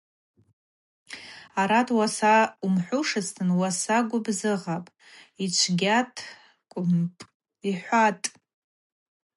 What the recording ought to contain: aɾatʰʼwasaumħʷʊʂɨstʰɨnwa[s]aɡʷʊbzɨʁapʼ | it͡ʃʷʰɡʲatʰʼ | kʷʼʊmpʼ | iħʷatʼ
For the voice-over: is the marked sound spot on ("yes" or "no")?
yes